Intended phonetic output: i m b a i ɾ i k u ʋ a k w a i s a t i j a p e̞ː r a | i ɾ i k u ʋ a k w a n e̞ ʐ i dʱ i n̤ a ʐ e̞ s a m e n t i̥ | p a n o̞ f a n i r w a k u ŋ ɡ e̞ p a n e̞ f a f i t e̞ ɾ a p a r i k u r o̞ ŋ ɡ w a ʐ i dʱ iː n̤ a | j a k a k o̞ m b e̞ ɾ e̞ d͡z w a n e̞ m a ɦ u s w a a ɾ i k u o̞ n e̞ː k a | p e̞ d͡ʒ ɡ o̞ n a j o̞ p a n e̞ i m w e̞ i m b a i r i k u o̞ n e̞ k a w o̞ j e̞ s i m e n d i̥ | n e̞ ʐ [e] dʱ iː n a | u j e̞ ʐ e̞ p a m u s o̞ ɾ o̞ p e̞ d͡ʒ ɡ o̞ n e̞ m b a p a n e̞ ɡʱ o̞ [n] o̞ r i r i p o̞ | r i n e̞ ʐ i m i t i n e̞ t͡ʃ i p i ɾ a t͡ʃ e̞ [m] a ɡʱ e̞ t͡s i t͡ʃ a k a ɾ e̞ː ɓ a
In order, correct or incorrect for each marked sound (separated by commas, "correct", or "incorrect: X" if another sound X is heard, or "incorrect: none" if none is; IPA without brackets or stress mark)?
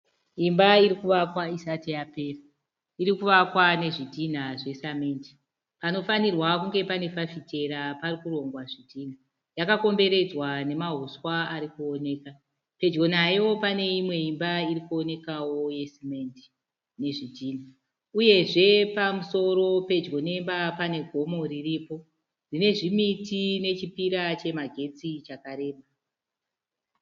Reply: incorrect: i, incorrect: m, correct